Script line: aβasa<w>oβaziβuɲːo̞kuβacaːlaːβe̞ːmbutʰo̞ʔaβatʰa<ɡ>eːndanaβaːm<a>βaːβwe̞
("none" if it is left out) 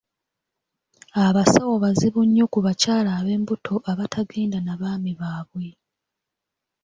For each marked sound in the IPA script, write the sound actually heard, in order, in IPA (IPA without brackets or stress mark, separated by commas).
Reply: w, ɡ, i